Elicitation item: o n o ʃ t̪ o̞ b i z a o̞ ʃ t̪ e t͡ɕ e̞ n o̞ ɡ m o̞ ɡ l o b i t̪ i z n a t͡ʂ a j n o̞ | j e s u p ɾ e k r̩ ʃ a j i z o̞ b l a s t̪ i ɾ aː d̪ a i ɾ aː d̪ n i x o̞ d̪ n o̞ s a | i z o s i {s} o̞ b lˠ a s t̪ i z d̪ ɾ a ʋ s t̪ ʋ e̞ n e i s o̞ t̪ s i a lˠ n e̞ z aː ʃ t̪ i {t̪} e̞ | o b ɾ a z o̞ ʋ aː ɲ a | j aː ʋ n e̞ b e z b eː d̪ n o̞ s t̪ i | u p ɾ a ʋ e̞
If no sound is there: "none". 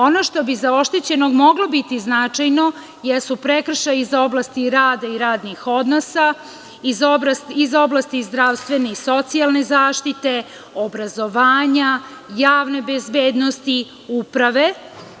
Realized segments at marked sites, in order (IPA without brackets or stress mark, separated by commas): z, t̪